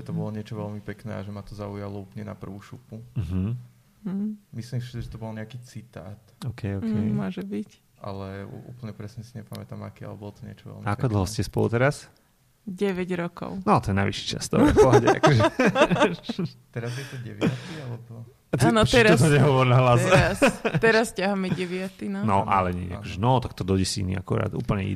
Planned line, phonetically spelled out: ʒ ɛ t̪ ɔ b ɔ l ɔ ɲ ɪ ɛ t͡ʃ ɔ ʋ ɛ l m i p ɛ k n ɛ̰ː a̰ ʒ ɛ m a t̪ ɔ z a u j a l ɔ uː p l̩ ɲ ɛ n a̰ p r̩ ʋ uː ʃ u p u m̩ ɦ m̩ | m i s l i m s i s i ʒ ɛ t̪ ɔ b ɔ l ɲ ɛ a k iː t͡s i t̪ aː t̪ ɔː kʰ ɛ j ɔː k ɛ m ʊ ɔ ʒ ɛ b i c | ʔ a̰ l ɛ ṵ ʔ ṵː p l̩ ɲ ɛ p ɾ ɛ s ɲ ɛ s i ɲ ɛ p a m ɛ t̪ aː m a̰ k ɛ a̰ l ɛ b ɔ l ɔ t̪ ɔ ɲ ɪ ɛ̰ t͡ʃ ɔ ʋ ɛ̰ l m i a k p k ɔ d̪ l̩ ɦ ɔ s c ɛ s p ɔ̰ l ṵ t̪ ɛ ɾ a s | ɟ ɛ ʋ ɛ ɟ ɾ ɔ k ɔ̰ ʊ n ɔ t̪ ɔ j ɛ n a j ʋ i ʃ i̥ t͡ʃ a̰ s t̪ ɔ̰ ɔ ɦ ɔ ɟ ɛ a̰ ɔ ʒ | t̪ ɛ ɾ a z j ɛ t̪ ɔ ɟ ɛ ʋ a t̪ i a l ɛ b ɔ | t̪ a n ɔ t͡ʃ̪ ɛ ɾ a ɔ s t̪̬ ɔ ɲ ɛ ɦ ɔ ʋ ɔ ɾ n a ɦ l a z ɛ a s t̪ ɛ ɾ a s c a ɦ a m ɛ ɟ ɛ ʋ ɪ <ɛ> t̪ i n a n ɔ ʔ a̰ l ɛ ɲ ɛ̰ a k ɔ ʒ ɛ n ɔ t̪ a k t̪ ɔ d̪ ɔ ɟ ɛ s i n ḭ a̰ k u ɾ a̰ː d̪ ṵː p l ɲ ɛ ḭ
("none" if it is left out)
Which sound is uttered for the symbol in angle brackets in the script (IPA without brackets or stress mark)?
a